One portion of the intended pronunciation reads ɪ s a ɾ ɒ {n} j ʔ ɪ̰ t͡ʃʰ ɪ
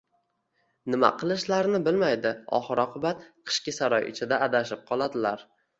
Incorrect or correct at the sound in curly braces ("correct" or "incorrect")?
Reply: incorrect